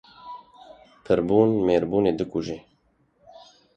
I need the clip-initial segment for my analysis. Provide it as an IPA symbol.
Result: pʰ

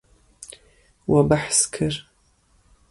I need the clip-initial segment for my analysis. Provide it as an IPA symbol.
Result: w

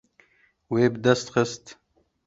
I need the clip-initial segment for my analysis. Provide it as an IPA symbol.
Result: w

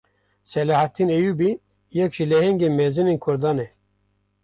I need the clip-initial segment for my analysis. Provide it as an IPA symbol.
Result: s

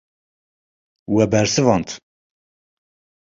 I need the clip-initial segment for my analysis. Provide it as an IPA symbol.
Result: w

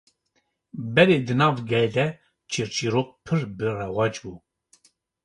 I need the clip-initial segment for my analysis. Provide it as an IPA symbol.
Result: b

